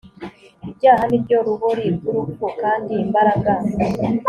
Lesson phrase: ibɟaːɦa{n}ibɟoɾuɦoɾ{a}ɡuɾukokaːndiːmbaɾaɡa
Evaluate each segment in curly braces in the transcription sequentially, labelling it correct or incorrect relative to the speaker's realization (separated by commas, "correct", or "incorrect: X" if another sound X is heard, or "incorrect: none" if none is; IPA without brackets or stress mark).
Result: correct, incorrect: i